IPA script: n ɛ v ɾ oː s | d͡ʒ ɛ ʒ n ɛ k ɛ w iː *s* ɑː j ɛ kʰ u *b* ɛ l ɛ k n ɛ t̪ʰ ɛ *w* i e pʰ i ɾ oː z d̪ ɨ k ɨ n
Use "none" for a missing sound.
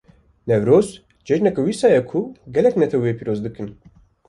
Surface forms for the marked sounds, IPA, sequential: s, ɡ, w

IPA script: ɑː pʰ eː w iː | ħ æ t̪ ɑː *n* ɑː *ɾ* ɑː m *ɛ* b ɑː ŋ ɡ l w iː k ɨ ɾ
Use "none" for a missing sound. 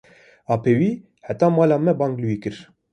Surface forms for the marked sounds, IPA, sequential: m, l, ɛ

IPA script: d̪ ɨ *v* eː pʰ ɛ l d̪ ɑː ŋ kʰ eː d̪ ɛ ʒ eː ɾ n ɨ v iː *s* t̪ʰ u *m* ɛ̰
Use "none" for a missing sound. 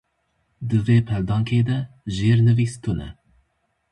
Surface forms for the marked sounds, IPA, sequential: v, s, n

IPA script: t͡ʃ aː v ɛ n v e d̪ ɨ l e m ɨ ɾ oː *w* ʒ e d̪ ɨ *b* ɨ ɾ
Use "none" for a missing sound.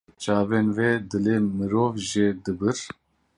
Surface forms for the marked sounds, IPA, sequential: v, b

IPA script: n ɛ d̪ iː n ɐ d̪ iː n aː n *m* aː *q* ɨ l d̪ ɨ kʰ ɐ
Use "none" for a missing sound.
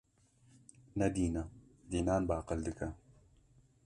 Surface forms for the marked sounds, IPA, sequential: b, q

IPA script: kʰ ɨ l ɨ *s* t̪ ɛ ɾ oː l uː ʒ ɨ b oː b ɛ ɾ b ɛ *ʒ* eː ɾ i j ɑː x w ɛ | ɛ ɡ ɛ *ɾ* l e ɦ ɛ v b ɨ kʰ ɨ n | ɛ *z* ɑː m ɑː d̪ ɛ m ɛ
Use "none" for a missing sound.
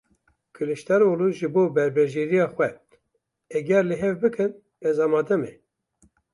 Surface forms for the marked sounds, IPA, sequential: ʃ, ʒ, ɾ, z

